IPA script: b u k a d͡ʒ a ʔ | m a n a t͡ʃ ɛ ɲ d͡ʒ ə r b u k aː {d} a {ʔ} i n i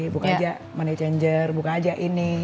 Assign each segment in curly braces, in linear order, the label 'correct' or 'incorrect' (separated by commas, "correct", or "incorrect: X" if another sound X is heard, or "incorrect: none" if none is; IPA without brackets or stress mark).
incorrect: d͡ʒ, correct